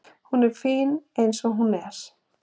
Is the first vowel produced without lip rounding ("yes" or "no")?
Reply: no